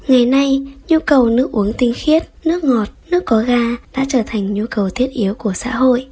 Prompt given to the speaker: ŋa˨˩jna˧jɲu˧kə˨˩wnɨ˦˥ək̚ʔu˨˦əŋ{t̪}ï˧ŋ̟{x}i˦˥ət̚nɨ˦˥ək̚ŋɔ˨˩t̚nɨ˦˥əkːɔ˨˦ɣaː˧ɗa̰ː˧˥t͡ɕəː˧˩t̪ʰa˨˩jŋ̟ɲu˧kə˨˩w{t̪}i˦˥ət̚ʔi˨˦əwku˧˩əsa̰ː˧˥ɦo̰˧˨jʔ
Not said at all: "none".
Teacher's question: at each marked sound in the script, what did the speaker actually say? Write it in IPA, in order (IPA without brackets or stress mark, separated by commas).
t̪, x, t̪ʰ